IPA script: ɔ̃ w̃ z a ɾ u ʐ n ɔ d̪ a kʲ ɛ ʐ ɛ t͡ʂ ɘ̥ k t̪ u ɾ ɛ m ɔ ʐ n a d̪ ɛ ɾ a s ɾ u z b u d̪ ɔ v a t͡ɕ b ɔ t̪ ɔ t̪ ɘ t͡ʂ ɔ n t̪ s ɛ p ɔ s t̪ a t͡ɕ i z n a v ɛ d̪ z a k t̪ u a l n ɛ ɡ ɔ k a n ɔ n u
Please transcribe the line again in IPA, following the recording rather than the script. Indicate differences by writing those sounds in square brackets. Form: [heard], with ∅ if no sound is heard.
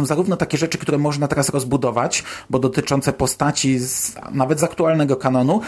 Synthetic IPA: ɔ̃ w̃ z a ɾ u [v] n ɔ [t̪] a kʲ ɛ ʐ ɛ t͡ʂ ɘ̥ k t̪ u ɾ ɛ m ɔ ʐ n a [t̪] ɛ ɾ a s ɾ [ɔ] z b u d̪ ɔ v a t͡ɕ b ɔ [d̪] ɔ t̪ ɘ t͡ʂ ɔ n t̪ s ɛ p ɔ s t̪ a t͡ɕ i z n a v ɛ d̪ z a k t̪ u a l n ɛ ɡ ɔ k a n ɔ n u